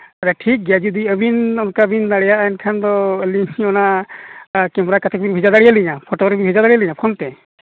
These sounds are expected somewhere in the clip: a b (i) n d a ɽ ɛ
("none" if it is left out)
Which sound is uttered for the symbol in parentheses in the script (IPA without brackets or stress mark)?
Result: i